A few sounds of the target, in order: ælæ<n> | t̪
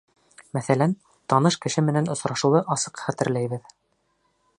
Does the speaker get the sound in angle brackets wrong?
no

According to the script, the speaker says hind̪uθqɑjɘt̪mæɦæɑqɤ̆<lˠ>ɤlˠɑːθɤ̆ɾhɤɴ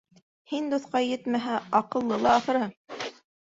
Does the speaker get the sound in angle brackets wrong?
yes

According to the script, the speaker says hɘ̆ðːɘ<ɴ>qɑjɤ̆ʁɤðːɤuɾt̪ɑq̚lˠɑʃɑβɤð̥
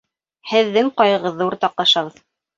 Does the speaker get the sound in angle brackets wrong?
yes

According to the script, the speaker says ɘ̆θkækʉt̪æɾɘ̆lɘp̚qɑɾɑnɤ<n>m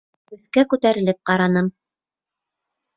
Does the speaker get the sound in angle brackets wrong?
yes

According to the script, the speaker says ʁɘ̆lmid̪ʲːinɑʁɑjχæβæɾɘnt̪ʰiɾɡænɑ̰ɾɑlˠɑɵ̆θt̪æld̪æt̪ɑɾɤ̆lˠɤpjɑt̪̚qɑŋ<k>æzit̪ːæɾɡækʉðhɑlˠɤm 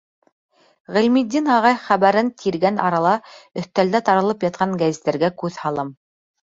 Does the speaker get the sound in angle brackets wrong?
yes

